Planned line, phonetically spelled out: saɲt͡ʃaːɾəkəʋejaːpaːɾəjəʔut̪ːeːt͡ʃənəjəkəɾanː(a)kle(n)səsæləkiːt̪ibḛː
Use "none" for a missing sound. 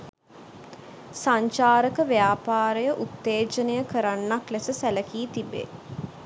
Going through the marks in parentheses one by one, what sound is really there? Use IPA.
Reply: a, none

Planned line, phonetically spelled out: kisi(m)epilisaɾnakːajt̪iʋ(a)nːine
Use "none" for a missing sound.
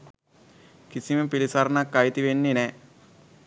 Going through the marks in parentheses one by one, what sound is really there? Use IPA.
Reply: m, e

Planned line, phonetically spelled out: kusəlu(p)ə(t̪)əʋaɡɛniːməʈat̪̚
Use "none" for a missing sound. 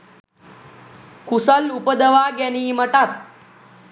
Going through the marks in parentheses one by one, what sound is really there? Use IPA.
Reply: p, d̪

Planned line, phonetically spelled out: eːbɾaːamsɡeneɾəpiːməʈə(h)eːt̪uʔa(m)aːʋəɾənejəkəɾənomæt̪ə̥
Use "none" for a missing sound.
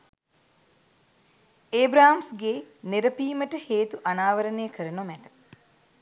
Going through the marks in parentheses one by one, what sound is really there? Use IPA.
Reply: h, n

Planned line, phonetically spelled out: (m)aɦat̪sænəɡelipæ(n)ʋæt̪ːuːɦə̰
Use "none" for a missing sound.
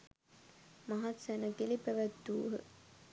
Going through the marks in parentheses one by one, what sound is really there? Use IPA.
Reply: m, none

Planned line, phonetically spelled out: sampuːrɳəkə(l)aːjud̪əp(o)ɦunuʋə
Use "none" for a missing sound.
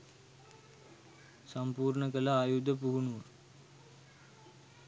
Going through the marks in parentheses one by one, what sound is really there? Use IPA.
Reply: l, u

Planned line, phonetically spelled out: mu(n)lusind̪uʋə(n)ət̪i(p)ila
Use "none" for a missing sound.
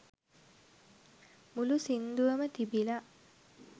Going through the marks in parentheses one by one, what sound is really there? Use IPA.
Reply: none, m, b

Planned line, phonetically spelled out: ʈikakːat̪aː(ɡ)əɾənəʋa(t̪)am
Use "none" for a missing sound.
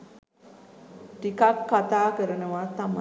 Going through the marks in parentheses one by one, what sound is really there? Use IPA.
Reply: k, t̪

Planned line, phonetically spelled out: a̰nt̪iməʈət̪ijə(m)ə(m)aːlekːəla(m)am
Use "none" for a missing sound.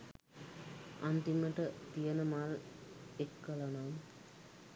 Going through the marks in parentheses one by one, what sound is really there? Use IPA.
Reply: n, m, n

